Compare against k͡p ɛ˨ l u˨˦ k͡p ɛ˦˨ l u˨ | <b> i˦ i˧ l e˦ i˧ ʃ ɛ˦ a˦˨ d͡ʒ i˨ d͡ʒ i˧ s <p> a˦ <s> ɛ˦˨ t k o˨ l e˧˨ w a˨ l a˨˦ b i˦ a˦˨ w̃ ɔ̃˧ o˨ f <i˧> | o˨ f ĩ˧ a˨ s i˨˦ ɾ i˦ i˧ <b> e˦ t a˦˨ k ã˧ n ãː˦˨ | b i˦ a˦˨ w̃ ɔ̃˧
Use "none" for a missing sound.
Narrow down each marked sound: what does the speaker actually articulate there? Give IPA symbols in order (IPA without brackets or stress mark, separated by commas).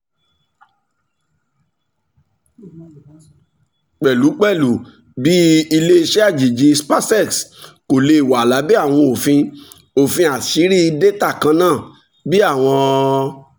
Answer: b, p, s, ĩ˧, d